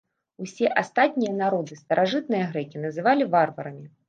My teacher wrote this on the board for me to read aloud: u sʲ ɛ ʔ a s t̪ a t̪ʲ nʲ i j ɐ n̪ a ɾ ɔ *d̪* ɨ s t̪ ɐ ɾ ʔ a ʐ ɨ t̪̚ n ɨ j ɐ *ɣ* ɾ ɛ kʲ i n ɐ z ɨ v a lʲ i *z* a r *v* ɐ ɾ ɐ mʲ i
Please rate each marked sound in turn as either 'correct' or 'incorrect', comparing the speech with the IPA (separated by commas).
correct, correct, incorrect, correct